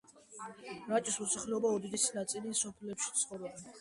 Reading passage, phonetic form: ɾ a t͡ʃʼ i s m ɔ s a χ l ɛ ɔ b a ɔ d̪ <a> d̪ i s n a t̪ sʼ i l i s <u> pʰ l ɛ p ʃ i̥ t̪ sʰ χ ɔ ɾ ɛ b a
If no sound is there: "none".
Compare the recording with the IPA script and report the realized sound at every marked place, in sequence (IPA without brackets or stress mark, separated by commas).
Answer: i, ɔ